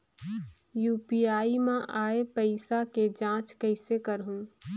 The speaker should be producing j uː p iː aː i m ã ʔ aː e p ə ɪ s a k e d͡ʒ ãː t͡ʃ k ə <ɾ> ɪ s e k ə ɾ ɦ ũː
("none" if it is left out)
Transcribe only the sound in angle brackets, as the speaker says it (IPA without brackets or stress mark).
none